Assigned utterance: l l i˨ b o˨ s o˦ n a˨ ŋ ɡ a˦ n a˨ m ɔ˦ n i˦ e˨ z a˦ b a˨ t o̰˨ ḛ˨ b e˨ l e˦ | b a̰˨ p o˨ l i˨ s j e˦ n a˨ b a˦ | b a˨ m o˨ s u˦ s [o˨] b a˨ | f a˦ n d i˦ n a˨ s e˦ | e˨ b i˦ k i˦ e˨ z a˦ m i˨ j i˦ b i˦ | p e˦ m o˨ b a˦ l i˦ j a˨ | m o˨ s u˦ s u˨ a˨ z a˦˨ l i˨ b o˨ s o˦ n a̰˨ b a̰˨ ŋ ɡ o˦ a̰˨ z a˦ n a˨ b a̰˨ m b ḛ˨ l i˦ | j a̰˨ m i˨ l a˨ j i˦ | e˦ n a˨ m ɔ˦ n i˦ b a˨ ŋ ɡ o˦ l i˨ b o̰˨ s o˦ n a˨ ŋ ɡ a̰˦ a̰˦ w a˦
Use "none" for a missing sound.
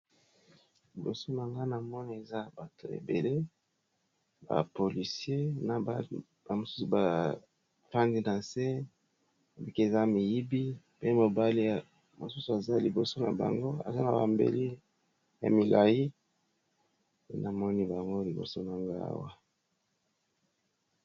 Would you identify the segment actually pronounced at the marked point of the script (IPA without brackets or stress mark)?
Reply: u˨